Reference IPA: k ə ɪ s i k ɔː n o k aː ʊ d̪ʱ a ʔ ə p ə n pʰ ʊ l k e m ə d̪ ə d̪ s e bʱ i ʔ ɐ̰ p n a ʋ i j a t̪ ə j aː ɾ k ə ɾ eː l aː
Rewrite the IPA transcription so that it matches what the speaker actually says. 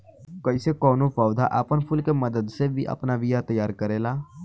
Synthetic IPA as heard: k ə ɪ s e k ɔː n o p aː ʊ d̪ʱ a ʔ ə p ə n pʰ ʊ l k e m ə d̪ ə d̪ s e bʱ i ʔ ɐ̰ p n a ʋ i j a t̪ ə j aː ɾ k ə ɾ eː l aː